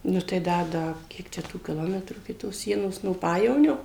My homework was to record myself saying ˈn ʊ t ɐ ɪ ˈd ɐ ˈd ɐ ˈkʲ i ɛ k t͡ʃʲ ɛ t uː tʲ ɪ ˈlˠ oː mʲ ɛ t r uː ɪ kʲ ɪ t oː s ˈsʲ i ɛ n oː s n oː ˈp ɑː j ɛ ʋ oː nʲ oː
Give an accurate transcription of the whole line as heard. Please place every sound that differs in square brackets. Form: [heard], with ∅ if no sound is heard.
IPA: ˈn ʊ t ɐ ɪ ˈd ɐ ˈd ɐ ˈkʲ i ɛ k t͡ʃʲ ɛ t uː [kʲ] ɪ ˈlˠ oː mʲ ɛ t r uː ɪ kʲ ɪ t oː s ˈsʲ i ɛ n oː s n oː ˈp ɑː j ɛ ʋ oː nʲ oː